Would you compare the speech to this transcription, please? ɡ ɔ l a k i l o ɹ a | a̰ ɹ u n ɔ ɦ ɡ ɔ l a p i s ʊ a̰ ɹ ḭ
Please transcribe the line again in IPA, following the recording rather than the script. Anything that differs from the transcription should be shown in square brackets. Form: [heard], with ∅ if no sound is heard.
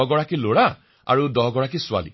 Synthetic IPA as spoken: ɡ ɔ [ɹ] a k i l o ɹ a | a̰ ɹ u [d] ɔ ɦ ɡ ɔ [ɹ] a [k] i s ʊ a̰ [l] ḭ